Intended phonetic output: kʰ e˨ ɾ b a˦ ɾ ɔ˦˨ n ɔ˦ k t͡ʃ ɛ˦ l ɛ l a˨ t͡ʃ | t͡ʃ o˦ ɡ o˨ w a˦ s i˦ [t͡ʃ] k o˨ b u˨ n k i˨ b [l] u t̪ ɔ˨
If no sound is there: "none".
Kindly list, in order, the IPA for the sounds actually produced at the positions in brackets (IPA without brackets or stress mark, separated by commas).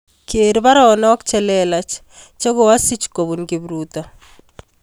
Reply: t͡ʃ, ɾ